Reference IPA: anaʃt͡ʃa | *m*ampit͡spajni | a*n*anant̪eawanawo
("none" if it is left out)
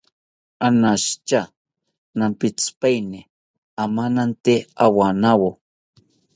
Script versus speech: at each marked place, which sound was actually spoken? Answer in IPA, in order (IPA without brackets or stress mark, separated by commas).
n, m